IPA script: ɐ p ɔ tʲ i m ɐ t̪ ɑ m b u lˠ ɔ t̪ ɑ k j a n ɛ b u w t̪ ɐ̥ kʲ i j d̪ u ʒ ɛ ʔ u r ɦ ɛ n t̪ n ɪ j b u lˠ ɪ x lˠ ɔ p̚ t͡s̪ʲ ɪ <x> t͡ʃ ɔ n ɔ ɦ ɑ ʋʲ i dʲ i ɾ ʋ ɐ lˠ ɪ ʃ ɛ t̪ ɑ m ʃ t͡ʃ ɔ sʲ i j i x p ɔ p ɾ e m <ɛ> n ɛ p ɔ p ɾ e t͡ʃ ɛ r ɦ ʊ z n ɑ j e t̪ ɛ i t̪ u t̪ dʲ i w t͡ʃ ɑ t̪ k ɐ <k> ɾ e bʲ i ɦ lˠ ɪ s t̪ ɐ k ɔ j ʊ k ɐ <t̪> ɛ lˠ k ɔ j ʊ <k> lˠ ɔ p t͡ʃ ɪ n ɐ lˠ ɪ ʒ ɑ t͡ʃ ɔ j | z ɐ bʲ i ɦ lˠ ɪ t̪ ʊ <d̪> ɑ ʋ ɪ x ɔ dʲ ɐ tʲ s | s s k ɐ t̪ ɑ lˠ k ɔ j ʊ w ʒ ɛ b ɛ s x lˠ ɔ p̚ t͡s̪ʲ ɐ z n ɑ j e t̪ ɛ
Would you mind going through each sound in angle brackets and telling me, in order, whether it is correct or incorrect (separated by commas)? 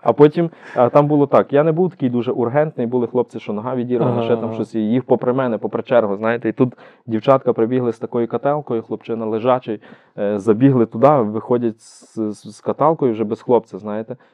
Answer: incorrect, correct, incorrect, correct, incorrect, correct